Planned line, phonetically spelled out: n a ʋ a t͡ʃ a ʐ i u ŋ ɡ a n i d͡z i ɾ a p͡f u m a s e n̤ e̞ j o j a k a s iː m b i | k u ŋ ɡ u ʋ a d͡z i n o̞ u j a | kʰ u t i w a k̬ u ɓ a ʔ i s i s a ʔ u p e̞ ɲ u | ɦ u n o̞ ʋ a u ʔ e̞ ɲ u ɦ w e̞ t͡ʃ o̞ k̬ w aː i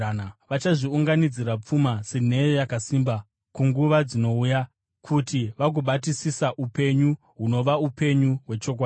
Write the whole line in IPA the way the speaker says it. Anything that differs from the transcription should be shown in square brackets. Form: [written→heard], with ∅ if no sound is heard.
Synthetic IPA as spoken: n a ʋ a t͡ʃ a ʐ i u ŋ ɡ a n i d͡z i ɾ a p͡f u m a s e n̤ e̞ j o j a k a s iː m b [i→a] | k u ŋ ɡ u ʋ a d͡z i n o̞ u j a | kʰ u t i [w→ʋ] a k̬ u ɓ a [ʔ→t] i s i s a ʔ u p e̞ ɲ u | ɦ u n o̞ ʋ a u [ʔ→p] e̞ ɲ u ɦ w e̞ t͡ʃ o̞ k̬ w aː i